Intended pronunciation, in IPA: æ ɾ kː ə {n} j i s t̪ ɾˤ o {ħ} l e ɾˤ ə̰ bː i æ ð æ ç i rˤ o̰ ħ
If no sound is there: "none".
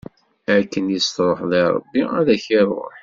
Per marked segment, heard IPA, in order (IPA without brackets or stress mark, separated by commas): n, ħ